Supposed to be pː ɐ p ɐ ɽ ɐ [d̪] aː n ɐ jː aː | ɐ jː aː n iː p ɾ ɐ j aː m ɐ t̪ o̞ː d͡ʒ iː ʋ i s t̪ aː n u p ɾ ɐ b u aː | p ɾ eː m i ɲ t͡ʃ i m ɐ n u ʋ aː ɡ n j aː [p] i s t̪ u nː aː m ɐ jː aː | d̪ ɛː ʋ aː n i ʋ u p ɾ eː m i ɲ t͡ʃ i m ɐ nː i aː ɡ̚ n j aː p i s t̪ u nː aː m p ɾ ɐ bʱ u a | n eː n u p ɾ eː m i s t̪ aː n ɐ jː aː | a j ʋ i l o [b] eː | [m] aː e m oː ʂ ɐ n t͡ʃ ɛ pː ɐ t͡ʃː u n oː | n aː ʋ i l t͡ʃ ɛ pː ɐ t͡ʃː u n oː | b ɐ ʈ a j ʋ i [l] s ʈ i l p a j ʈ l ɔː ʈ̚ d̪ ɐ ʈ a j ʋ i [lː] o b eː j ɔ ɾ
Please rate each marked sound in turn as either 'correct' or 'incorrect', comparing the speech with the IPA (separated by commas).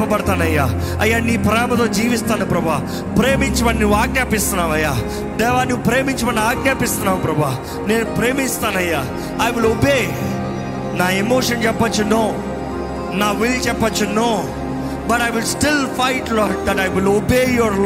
incorrect, correct, correct, incorrect, correct, incorrect